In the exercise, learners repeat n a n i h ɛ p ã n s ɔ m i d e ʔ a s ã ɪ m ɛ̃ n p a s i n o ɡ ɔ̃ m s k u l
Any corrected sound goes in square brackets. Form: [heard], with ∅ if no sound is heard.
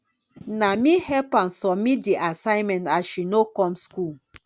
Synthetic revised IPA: n a [m] i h ɛ p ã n s ɔ m i d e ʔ a s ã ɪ m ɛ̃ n [t] a [ʃ] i n o [k] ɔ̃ m s k u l